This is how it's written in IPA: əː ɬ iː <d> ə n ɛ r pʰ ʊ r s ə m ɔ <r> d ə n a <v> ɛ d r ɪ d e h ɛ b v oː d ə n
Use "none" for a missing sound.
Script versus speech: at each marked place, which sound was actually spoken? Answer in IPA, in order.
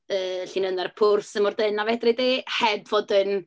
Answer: n, r, v

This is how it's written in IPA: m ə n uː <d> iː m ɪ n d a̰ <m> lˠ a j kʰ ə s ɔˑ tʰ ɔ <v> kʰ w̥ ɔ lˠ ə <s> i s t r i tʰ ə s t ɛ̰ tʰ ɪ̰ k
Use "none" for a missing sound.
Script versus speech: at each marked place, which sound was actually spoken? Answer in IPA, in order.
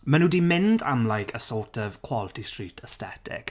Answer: d, m, v, t

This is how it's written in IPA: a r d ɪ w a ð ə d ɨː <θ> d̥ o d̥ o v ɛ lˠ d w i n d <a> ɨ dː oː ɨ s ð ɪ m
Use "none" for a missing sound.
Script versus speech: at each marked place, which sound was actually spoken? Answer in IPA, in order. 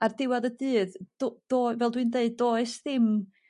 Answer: ð, e

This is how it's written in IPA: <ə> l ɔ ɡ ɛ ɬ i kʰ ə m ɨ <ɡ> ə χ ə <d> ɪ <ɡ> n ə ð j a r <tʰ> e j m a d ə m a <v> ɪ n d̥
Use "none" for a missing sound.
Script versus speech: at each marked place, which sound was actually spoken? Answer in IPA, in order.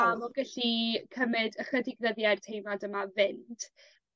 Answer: a, d, d, ɡ, tʰ, v

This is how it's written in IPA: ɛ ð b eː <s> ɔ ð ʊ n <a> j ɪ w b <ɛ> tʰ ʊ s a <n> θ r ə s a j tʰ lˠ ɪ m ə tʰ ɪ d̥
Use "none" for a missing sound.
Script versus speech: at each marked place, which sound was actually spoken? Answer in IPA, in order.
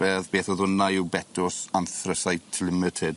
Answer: θ, a, ɛ, n

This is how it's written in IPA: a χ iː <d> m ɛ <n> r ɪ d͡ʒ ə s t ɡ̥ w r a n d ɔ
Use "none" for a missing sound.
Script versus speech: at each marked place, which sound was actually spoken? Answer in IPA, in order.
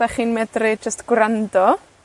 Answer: n, d

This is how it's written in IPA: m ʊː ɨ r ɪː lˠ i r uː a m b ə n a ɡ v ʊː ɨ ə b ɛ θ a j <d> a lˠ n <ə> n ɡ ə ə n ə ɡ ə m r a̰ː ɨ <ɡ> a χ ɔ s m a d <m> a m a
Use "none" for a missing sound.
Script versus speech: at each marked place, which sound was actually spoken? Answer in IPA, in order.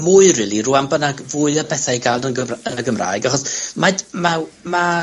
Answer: ɡ, ə, ɡ, m

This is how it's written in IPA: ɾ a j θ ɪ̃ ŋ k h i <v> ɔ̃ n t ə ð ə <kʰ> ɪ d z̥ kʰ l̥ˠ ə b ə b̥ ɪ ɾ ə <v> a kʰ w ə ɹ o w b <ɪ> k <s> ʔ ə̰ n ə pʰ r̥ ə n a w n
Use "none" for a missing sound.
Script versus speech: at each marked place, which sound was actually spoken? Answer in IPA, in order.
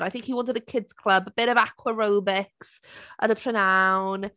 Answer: w, kʰ, v, ɪ, s

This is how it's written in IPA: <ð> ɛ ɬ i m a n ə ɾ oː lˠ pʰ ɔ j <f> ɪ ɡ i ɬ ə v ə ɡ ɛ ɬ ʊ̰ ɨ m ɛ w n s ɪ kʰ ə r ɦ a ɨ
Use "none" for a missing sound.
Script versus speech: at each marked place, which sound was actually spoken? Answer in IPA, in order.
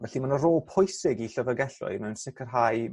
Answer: v, s

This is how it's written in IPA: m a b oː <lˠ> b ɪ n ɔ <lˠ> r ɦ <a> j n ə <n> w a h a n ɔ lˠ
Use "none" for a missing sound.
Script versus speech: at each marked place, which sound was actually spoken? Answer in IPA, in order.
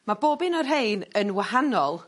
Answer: none, none, e, n

